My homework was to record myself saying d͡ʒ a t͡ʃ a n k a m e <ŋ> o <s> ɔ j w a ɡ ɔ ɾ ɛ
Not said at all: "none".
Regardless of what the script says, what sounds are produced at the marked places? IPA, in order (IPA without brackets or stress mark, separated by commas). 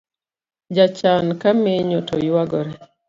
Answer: ɲ, t